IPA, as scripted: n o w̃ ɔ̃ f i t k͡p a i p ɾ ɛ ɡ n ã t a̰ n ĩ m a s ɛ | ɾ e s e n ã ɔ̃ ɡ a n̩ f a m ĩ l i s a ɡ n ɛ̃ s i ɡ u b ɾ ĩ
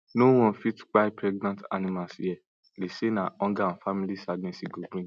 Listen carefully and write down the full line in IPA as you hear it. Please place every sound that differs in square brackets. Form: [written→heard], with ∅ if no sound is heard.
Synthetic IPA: n o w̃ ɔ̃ f i t k͡p a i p ɾ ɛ ɡ n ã t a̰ n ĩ m a s ɛ | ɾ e s e n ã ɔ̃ ɡ a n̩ f a m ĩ l i s a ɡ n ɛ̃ s i ɡ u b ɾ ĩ